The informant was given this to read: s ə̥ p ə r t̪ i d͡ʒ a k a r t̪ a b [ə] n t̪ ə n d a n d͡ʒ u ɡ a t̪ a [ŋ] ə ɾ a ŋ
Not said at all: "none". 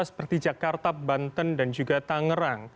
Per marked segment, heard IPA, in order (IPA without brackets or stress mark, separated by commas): a, ŋ